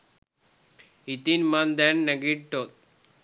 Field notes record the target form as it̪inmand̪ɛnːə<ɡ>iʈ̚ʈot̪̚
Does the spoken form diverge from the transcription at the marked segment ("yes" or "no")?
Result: no